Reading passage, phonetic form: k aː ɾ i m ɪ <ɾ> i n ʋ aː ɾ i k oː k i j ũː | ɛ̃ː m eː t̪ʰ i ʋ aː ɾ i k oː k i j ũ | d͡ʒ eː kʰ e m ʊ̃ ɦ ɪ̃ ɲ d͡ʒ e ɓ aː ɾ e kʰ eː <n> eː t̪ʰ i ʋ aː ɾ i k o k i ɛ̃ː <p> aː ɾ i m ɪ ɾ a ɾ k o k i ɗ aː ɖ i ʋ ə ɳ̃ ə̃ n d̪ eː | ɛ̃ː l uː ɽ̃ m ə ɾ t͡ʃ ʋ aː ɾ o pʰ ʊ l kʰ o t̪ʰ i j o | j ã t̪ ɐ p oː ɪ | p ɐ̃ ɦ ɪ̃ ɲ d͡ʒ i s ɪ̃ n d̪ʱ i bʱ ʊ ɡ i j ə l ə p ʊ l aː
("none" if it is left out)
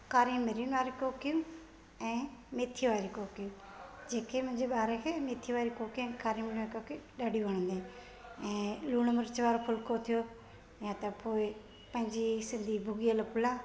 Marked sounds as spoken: ɾ, m, k

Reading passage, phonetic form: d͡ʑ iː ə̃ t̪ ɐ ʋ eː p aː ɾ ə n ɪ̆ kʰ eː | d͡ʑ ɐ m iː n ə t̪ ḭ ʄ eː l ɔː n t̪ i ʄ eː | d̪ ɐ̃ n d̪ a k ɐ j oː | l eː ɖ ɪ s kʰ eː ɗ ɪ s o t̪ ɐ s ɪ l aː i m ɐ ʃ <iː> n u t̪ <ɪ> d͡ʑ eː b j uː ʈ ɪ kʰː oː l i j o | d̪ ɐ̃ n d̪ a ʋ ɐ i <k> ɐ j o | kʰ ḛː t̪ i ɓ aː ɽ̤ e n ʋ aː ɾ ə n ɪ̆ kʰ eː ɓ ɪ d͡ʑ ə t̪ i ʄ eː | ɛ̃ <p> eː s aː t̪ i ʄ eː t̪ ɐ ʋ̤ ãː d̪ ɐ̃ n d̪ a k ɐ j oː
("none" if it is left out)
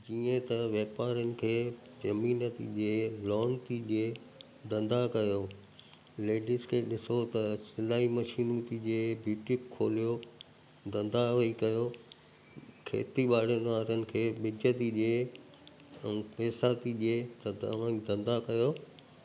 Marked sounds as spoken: iː, i, k, p

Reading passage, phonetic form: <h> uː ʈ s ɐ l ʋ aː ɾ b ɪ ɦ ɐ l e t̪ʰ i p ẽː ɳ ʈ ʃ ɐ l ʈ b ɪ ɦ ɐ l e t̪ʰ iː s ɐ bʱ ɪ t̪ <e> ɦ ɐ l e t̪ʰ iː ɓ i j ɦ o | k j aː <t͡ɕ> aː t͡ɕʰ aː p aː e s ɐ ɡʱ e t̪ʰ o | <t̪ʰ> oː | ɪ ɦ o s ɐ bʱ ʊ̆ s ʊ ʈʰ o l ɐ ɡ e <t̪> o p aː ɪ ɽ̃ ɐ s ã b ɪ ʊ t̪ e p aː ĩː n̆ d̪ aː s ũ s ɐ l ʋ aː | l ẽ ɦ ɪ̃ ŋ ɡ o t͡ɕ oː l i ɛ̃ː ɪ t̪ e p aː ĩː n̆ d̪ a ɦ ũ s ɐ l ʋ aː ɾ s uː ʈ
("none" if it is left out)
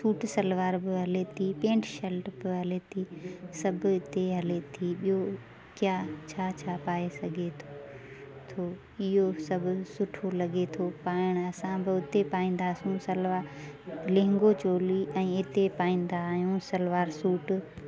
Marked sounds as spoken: s, e, t͡ɕʰ, t̪ʰ, t̪ʰ

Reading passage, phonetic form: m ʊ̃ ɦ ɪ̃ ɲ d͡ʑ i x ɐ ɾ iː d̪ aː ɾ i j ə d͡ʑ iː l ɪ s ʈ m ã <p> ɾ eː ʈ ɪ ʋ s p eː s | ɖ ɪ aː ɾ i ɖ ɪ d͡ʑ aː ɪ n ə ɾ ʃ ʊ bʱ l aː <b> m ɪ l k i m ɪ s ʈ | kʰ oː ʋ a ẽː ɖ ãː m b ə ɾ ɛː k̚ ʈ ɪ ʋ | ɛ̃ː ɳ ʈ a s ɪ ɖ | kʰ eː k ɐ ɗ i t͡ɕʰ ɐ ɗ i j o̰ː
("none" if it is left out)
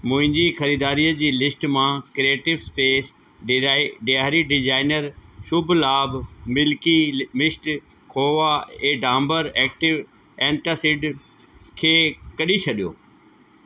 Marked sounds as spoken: k, b

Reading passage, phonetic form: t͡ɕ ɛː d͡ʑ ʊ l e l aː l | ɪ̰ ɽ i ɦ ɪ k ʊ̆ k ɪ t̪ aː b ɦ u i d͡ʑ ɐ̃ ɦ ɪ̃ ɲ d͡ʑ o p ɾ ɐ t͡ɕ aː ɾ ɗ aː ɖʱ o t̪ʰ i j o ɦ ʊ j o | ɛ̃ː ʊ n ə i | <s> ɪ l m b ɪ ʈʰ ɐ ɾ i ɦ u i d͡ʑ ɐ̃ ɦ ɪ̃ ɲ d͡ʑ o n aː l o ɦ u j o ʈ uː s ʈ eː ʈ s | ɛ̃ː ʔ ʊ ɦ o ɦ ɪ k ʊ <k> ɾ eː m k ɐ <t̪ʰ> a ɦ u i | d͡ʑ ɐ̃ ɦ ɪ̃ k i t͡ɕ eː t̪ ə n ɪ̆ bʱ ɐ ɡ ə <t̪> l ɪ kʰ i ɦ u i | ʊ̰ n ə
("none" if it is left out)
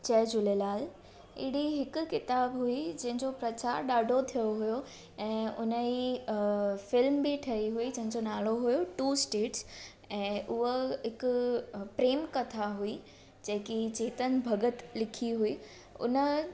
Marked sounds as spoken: f, p, t̪ʰ, t̪

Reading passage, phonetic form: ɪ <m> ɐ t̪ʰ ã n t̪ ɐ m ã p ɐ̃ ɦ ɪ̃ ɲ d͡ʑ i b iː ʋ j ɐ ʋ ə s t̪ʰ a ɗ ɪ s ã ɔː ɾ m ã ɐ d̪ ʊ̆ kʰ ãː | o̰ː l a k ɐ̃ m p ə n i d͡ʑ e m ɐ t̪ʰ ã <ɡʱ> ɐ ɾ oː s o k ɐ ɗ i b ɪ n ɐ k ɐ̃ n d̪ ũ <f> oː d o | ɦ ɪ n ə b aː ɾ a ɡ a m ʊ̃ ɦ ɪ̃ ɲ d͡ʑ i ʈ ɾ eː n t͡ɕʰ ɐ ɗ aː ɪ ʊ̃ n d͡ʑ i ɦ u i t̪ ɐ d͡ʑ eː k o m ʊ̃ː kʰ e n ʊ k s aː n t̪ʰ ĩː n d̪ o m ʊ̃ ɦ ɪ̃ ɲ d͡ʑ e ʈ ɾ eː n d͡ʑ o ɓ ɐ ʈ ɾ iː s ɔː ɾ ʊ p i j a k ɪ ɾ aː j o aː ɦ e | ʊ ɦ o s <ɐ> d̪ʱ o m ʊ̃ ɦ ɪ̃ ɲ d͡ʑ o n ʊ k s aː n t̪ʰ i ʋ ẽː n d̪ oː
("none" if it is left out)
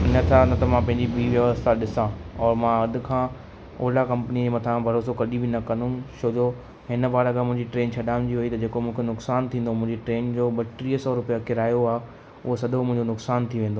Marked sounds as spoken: n, bʱ, ʃ, ɐ

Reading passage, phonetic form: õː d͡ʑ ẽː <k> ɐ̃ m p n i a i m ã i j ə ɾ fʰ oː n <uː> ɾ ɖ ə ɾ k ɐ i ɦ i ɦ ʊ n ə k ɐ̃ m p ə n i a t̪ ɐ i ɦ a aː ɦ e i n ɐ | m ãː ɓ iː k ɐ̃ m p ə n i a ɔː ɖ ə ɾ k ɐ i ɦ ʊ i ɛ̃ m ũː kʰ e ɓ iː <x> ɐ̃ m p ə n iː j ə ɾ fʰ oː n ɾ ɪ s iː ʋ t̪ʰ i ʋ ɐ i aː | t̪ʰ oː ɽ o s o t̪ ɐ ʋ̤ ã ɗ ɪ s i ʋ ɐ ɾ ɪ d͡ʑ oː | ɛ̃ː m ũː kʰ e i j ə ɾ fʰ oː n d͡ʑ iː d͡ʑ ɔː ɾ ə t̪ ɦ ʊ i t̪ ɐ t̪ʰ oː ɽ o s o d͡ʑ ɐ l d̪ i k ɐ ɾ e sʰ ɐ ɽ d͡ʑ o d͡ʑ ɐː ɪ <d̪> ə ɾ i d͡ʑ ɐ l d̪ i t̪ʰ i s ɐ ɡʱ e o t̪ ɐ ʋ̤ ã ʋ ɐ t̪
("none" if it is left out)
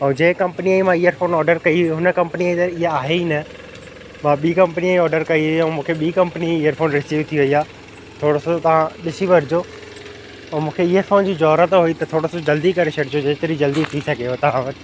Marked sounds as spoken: k, ɔː, k, t̪

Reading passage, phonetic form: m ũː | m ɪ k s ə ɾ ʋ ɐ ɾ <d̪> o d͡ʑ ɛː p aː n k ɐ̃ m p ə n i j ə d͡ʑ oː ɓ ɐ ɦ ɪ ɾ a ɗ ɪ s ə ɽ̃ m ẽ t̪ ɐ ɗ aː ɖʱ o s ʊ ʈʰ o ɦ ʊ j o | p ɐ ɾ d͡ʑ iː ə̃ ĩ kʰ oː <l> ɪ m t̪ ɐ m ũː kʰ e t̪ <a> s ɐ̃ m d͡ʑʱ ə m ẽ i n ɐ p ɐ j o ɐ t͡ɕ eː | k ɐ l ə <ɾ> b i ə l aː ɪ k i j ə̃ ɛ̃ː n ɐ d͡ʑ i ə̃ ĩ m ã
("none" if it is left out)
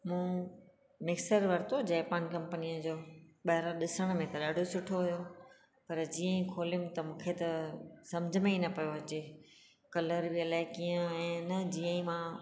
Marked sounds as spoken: t̪, l, ɐ, ɾ

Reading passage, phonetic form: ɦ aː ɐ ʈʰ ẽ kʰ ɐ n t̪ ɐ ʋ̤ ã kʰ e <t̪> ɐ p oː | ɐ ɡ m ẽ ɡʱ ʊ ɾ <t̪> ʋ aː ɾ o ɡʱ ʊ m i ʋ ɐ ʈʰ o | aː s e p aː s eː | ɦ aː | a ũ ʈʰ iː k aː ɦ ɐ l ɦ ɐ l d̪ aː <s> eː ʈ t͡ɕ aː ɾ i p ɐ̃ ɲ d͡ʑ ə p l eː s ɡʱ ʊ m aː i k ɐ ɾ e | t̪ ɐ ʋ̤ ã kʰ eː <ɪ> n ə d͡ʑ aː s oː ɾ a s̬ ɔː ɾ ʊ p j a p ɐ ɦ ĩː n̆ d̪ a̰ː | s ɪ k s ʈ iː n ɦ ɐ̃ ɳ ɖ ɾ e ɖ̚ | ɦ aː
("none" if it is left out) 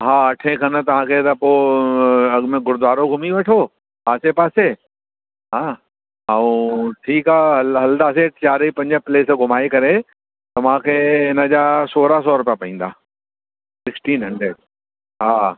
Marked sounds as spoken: t̪, d̪, s, ɪ

